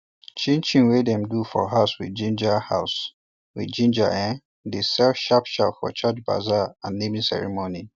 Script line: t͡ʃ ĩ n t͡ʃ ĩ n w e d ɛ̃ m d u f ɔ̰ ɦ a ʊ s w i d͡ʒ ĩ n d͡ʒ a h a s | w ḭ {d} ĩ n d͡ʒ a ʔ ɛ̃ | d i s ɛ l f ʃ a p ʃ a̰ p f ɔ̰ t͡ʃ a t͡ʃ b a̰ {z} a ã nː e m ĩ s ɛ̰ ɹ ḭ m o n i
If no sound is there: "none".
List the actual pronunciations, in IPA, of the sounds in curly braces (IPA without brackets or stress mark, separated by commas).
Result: d͡ʒ, z